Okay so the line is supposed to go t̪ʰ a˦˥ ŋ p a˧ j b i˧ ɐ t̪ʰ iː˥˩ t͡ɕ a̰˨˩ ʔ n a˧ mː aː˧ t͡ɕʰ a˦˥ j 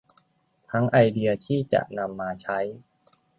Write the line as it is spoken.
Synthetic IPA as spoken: t̪ʰ a˦˥ ŋ ʔ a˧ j d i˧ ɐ t̪ʰ iː˥˩ t͡ɕ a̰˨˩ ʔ n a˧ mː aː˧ t͡ɕʰ a˦˥ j